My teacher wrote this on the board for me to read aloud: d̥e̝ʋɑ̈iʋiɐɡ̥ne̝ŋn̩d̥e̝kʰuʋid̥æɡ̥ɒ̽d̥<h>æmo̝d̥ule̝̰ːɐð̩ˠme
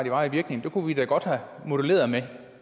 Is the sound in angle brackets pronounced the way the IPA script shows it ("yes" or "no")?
yes